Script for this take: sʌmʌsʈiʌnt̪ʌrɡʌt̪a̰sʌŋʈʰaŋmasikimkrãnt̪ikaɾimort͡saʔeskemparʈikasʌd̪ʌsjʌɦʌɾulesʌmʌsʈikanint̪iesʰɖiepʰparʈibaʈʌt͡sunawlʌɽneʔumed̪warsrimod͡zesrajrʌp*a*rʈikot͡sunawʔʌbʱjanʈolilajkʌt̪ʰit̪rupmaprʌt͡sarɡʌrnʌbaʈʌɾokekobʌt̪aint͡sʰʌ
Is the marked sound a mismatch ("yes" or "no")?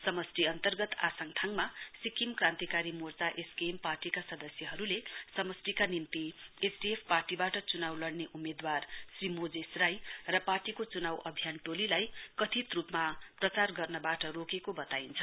no